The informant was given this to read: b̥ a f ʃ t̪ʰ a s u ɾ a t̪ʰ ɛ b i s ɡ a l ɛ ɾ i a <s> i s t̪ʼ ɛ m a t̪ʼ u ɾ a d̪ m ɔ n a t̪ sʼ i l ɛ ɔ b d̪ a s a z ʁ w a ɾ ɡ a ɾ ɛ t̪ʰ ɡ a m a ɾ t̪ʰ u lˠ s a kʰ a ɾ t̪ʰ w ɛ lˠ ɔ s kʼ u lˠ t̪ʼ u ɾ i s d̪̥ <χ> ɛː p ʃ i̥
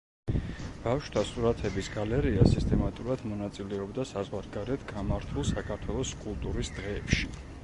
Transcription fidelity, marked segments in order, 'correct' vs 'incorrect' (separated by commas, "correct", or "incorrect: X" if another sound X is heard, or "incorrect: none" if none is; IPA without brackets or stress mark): correct, incorrect: ʁ